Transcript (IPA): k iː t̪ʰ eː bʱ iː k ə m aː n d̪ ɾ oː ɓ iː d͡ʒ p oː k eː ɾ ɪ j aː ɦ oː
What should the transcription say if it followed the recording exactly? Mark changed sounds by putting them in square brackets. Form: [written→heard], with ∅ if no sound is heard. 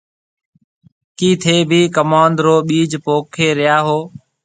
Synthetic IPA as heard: k iː t̪ʰ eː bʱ iː k ə m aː n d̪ ɾ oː ɓ iː d͡ʒ p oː [k→kʰ] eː ɾ ɪ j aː ɦ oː